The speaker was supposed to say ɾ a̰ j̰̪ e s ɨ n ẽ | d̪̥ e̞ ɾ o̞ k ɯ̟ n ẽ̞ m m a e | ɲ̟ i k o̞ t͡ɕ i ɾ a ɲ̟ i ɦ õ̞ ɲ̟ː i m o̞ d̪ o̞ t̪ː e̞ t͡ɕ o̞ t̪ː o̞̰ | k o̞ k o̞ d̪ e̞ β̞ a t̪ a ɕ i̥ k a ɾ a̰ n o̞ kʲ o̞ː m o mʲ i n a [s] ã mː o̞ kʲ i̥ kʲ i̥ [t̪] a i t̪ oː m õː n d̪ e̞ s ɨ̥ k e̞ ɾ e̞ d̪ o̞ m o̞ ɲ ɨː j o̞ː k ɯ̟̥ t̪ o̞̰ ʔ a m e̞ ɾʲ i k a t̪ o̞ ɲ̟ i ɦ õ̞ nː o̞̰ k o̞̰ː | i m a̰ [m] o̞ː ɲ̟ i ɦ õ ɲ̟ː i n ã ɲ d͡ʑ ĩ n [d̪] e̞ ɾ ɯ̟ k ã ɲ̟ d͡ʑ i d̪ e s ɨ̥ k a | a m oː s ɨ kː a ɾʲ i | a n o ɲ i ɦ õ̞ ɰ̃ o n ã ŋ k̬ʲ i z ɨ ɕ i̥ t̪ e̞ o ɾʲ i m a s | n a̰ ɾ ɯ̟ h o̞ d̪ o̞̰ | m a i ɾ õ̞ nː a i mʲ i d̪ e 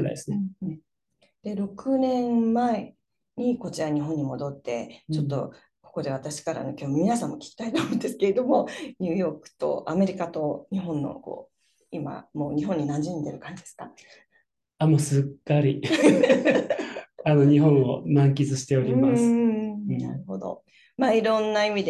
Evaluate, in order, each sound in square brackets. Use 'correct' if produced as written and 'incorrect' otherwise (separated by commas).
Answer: correct, correct, correct, correct